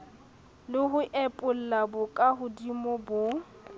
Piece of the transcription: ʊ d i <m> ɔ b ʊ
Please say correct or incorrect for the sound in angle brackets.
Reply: correct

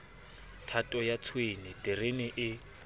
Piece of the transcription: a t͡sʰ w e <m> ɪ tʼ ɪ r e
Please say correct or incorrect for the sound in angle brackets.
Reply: incorrect: n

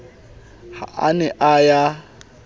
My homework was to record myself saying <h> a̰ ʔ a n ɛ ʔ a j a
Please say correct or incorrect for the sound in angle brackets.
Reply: correct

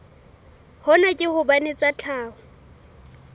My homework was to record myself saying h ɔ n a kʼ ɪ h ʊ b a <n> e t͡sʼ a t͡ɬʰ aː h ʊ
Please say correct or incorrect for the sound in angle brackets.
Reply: correct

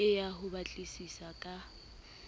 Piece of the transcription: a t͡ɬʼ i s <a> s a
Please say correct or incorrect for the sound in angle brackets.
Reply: incorrect: i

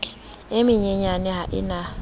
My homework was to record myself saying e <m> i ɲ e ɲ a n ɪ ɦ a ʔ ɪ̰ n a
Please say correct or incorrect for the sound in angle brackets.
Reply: correct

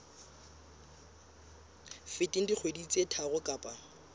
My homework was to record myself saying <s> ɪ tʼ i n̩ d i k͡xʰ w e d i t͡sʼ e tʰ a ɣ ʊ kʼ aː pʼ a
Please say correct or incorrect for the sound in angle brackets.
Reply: incorrect: f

